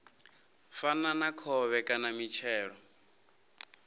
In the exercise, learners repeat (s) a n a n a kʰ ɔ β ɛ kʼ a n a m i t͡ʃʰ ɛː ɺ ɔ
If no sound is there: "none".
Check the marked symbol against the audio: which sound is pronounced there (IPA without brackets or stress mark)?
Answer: f